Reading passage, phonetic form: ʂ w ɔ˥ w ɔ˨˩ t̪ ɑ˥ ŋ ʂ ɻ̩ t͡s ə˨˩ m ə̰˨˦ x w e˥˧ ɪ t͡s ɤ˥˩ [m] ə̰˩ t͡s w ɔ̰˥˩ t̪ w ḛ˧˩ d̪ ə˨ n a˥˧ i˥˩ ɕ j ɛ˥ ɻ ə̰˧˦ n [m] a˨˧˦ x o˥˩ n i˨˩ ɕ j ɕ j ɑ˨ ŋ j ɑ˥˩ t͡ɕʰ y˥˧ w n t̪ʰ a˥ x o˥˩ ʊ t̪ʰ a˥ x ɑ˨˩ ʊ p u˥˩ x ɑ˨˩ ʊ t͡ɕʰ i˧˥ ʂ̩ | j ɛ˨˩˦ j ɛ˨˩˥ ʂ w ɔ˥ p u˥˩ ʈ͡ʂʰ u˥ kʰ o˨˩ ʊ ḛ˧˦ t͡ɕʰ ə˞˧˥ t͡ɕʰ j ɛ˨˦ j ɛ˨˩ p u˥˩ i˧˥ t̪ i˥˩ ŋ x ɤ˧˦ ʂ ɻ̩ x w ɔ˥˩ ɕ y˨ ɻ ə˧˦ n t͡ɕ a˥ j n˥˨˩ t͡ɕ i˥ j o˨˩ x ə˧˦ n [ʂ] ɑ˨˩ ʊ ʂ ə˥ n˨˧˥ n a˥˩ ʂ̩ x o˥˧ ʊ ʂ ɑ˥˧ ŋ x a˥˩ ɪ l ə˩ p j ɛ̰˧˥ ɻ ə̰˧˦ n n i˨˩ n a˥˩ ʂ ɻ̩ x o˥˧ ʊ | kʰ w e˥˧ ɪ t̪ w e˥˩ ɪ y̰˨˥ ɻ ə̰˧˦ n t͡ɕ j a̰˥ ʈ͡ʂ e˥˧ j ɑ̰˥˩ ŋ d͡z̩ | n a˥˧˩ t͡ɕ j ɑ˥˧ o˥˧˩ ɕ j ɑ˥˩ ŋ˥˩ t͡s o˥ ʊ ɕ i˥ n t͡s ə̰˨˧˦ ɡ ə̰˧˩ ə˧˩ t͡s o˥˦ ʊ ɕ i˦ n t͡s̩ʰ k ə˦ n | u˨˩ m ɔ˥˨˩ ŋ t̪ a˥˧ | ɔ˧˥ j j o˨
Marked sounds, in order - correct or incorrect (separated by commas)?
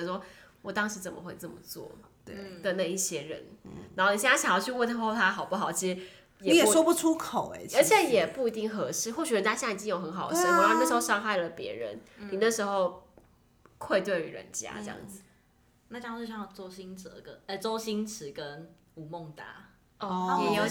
correct, incorrect, incorrect